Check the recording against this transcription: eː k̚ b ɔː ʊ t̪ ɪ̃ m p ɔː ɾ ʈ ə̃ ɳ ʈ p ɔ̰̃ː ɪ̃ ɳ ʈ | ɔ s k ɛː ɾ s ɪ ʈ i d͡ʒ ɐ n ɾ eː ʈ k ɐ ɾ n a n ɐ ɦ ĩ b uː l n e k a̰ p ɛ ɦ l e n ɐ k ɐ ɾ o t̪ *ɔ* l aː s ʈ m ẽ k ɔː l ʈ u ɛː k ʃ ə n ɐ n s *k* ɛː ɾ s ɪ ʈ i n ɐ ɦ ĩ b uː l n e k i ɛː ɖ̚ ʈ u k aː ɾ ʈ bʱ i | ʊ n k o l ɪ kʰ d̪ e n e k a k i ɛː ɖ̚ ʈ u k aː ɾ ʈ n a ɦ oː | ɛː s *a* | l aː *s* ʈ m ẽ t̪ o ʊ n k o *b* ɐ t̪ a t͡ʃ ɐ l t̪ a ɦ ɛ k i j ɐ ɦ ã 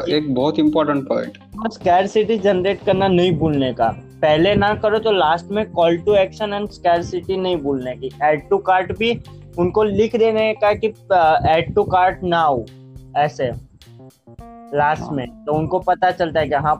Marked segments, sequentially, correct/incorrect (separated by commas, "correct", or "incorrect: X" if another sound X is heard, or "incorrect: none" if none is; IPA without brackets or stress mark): incorrect: o, correct, incorrect: e, correct, incorrect: p